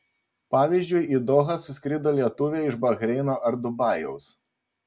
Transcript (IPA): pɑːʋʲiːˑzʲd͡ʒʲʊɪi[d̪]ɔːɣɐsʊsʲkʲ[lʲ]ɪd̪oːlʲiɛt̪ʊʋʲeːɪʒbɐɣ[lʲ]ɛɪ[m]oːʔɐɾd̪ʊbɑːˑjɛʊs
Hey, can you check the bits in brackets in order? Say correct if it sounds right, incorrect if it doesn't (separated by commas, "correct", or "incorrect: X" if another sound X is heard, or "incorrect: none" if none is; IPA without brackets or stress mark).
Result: correct, incorrect: ɾʲ, incorrect: ɾʲ, incorrect: n